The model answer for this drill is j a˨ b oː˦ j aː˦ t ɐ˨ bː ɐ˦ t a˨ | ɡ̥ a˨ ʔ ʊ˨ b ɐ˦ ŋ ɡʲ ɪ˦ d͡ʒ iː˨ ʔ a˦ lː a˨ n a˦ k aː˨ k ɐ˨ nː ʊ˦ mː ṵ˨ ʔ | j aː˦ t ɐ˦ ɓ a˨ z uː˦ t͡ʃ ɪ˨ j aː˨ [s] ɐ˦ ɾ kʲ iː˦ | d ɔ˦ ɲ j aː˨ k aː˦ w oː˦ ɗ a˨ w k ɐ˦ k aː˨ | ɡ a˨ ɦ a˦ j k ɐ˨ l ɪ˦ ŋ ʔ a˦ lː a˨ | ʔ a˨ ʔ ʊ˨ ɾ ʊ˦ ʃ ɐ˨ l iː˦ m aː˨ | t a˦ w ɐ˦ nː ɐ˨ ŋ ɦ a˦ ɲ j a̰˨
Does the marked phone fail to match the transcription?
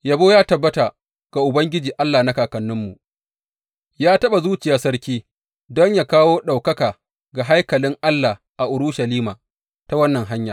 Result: no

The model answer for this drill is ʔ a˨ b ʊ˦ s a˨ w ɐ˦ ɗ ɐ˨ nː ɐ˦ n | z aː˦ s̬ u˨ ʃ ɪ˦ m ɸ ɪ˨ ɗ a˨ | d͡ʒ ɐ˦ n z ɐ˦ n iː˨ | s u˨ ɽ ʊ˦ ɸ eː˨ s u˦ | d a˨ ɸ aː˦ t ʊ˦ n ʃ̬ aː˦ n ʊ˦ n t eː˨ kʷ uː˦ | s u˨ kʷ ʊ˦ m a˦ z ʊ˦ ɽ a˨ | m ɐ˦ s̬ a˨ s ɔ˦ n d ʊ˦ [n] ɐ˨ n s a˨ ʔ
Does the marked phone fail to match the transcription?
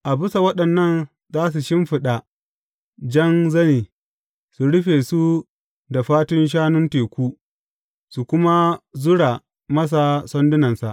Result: no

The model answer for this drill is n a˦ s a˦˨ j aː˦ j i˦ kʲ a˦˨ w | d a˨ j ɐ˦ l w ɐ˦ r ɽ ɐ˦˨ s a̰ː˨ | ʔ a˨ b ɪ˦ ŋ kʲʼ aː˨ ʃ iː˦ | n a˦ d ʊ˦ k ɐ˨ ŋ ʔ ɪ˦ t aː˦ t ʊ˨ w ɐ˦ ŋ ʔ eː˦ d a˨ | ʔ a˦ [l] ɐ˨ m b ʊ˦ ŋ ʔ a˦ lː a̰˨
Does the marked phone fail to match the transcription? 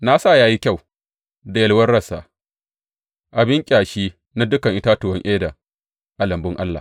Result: no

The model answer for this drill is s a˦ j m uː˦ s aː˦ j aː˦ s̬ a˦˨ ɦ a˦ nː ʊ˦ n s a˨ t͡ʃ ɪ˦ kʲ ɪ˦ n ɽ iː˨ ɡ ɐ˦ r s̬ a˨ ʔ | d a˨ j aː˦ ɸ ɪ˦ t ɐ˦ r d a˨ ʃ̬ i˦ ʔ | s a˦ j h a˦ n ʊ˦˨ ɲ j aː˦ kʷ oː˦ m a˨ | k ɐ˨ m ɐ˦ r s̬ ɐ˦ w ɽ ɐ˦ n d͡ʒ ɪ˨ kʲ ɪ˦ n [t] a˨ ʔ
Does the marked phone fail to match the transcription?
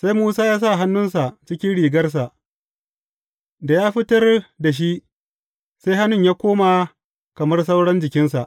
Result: yes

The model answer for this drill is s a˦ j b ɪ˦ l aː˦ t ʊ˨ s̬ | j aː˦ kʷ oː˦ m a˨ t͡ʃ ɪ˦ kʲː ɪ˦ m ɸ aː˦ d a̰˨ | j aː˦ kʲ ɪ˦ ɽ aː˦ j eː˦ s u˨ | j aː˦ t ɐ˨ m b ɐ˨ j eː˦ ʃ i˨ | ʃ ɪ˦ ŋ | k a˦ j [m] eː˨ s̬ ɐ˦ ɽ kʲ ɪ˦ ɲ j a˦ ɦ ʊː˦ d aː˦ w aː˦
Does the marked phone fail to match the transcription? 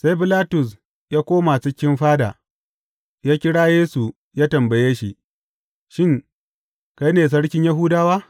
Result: yes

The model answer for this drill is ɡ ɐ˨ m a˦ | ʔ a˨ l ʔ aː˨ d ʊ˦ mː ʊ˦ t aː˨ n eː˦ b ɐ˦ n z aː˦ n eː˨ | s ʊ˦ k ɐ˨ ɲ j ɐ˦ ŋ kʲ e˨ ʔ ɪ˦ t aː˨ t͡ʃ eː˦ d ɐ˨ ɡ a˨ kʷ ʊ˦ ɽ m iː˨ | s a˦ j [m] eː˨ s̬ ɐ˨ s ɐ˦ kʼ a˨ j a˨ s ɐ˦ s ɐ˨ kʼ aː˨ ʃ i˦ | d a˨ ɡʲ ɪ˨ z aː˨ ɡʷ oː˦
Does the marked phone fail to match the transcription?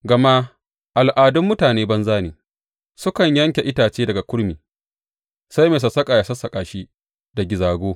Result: no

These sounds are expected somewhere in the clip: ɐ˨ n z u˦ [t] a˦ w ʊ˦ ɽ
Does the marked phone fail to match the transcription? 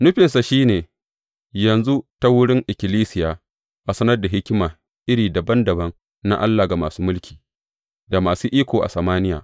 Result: no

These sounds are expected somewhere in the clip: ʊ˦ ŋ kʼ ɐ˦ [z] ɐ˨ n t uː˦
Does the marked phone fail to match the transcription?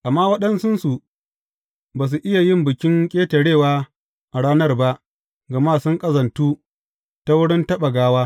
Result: no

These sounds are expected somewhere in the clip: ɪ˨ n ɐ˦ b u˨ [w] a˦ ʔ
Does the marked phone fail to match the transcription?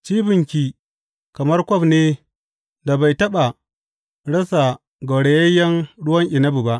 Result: yes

